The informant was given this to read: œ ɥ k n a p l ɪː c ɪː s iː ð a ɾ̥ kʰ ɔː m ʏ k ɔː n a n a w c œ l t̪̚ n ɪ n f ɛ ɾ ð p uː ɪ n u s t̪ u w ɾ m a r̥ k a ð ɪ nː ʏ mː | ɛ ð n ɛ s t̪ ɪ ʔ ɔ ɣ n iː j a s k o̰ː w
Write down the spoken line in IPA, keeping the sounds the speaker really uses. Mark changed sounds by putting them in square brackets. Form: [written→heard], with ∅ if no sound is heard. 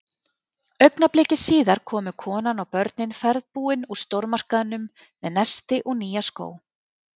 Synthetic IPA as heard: œ ɥ k n a p l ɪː c [ɪː→ɪ] s iː ð a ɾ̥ kʰ ɔː m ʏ [k→kʰ] ɔː n a n a w [c→p] œ [l→ɾ] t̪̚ n ɪ n f ɛ ɾ ð p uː ɪ n u s t̪ [u→o] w ɾ m a r̥ k a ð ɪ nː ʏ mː | ɛ ð n ɛ s t̪ ɪ ʔ ɔ ɣ n iː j a s k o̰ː w